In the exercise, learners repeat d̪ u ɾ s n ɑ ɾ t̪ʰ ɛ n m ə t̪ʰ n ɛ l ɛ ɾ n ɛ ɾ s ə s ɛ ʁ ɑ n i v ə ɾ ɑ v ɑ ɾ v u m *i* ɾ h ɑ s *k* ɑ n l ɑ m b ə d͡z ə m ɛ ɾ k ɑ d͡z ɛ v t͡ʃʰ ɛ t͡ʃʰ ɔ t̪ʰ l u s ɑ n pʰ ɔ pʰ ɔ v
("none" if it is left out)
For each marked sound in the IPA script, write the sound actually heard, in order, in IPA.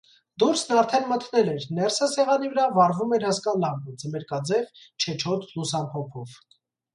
ɛ, k

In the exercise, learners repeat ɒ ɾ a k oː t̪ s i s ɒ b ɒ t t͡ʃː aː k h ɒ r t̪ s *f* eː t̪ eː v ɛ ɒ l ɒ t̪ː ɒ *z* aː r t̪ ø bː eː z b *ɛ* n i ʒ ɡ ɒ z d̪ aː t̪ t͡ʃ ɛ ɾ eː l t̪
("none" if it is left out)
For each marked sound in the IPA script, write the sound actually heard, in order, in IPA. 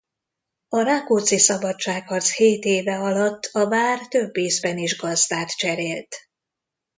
h, v, ɛ

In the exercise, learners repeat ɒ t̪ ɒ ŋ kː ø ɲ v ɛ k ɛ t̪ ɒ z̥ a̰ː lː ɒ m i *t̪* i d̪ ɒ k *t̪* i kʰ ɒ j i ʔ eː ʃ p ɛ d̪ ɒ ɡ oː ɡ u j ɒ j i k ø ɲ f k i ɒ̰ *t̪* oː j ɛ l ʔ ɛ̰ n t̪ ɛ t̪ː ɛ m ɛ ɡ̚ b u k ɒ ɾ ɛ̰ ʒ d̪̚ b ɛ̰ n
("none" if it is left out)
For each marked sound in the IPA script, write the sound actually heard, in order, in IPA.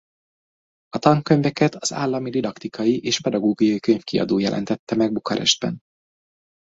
d̪, t̪, d̪

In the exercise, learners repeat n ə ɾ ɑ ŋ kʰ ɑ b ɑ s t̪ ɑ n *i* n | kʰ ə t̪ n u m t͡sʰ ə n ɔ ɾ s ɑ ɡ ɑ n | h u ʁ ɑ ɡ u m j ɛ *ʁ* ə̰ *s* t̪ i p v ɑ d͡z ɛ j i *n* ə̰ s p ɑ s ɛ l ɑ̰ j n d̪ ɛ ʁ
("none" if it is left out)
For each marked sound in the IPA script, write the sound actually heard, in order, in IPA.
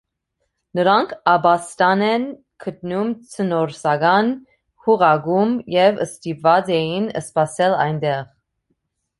ɛ, v, s, n

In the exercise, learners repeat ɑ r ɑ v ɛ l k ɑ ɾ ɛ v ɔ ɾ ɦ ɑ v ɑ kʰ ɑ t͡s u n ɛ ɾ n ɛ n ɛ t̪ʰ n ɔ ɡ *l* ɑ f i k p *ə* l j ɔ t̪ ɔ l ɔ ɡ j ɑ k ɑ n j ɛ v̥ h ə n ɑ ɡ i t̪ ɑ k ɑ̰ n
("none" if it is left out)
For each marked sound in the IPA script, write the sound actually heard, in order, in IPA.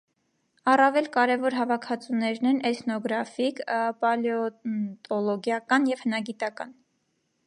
ɾ, ɑ

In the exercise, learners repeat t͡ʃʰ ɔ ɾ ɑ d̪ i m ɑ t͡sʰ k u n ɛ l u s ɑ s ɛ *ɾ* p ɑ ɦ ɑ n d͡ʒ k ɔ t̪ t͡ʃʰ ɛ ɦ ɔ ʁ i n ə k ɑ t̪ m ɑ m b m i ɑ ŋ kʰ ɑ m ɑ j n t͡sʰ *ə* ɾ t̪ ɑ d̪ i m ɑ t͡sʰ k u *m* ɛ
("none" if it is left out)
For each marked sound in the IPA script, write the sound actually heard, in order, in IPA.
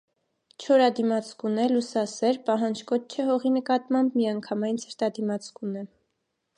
ɾ, ə, n

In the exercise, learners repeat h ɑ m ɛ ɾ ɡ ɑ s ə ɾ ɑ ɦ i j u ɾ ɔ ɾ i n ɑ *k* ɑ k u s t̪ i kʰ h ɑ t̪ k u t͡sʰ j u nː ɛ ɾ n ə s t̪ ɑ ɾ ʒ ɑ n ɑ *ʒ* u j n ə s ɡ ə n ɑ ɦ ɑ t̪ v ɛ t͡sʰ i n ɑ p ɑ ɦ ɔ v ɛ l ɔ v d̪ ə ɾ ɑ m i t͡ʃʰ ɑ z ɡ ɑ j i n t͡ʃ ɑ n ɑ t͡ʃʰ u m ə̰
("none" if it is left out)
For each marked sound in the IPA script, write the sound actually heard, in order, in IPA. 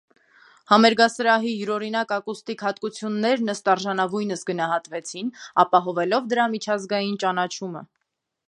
k, v

